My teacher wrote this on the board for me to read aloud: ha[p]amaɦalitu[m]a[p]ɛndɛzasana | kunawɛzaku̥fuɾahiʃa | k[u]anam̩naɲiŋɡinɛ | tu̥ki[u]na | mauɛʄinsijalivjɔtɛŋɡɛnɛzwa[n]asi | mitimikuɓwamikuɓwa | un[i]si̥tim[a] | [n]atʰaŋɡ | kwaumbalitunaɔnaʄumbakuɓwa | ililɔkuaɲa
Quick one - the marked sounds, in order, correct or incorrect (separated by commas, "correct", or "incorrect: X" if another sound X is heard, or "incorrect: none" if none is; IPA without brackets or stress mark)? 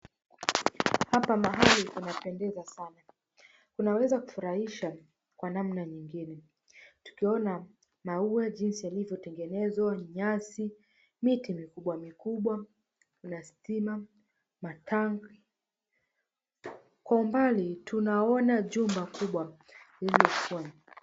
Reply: correct, incorrect: n, correct, incorrect: w, incorrect: ɔ, incorrect: ɲ, incorrect: a, correct, incorrect: m